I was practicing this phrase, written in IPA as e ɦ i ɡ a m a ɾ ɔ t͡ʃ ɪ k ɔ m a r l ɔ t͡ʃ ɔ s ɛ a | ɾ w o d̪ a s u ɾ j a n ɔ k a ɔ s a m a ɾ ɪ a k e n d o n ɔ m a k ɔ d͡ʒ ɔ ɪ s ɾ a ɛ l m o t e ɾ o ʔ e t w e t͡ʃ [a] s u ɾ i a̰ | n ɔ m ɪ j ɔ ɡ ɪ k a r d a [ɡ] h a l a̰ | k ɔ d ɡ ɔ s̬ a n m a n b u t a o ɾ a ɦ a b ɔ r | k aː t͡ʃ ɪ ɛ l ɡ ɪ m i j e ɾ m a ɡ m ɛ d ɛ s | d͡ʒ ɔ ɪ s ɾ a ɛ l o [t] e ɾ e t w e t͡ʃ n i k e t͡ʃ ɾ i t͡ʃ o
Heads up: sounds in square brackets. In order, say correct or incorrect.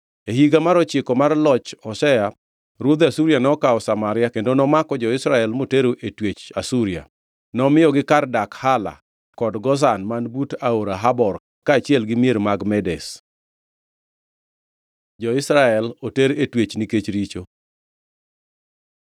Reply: correct, incorrect, correct

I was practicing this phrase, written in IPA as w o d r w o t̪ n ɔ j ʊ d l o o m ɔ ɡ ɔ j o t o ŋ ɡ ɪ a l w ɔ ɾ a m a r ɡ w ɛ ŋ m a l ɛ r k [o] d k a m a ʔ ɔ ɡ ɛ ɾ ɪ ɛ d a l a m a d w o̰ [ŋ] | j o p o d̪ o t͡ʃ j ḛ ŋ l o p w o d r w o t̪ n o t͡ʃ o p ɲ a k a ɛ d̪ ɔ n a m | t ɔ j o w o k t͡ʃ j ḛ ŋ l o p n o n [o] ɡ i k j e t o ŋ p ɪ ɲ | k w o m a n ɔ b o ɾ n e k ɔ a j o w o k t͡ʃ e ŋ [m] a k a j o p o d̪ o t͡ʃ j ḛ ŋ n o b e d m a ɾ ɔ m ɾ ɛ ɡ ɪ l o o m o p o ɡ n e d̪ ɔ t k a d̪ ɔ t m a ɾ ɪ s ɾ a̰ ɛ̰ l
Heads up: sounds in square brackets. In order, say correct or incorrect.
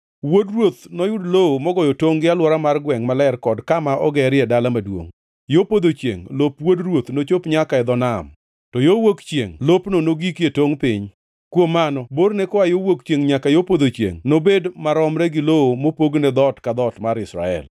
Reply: incorrect, correct, correct, incorrect

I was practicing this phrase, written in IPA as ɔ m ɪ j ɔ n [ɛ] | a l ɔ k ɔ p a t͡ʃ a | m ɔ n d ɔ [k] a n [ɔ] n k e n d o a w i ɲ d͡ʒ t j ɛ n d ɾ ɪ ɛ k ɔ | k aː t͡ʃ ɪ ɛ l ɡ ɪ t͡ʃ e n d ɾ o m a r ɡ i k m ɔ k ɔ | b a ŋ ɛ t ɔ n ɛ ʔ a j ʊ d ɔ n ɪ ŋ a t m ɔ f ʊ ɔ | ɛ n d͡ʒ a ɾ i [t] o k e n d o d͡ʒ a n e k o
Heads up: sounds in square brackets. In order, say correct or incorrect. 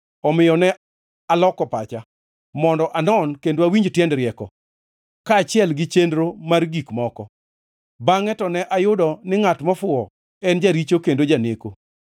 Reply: correct, incorrect, correct, incorrect

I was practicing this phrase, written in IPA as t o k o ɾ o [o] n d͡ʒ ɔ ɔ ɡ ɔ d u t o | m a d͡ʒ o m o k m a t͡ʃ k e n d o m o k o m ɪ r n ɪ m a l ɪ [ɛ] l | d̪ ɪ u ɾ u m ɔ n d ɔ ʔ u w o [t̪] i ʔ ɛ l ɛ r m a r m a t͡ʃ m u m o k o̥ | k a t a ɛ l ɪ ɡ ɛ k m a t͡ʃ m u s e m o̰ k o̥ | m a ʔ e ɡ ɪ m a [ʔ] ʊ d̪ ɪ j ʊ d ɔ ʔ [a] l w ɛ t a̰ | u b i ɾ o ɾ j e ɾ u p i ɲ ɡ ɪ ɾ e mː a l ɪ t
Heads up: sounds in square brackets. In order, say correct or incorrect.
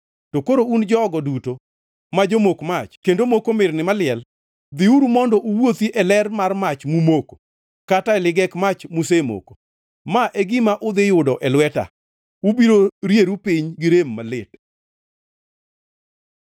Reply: incorrect, correct, correct, correct, incorrect

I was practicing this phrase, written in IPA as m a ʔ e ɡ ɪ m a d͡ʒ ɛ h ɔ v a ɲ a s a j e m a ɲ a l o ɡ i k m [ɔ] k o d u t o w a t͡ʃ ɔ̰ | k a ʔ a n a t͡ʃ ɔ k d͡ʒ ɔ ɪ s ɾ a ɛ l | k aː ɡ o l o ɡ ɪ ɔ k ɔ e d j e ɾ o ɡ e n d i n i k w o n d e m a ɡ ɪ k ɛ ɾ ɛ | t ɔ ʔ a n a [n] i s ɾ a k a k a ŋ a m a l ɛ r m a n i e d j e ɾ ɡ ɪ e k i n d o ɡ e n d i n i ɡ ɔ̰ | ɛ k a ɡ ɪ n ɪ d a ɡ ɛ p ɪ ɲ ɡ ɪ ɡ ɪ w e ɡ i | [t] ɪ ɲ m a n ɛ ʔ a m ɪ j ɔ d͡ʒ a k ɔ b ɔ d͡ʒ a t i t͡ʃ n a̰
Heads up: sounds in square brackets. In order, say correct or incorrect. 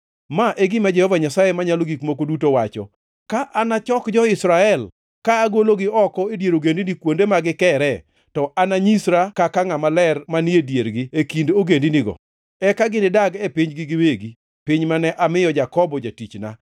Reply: incorrect, incorrect, incorrect

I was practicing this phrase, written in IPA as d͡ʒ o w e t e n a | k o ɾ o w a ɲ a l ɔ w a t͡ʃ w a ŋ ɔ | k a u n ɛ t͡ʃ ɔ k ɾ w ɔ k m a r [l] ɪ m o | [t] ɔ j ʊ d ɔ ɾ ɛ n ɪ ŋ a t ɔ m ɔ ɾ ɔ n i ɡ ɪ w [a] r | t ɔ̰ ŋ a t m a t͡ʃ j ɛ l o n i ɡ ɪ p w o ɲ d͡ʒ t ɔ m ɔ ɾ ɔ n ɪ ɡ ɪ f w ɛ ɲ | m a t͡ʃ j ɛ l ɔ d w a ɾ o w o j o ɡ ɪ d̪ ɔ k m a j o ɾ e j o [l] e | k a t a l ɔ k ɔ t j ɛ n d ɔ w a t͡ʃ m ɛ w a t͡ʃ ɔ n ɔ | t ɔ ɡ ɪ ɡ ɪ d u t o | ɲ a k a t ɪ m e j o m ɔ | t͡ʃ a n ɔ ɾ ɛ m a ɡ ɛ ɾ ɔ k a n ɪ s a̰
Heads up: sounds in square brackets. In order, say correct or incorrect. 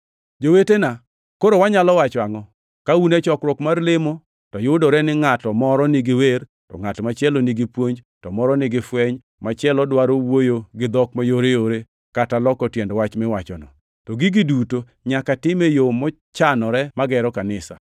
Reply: correct, correct, incorrect, incorrect

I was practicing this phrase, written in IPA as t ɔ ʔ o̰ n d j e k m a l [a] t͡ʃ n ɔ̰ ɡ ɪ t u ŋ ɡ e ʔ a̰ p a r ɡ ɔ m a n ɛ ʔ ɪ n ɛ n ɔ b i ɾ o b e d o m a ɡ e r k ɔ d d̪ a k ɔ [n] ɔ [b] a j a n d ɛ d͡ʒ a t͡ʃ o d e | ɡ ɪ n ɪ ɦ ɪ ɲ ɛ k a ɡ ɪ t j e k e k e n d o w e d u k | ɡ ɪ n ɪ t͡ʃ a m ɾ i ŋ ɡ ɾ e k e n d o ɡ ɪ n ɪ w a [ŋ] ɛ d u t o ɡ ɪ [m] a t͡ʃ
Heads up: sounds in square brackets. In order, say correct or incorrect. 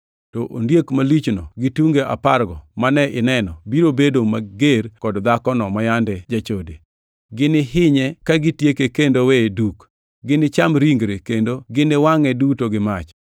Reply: incorrect, correct, incorrect, correct, correct

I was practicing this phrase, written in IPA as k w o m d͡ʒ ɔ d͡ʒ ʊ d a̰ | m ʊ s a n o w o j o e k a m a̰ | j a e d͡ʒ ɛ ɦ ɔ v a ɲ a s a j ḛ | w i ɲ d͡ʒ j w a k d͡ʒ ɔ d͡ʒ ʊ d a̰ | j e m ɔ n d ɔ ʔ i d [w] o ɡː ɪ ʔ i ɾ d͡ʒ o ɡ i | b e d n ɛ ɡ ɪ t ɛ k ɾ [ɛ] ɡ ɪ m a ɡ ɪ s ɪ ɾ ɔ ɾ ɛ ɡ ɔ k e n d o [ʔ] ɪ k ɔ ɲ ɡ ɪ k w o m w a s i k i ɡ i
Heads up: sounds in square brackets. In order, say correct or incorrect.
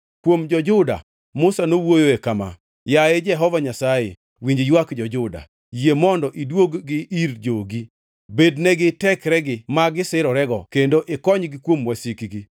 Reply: correct, correct, correct

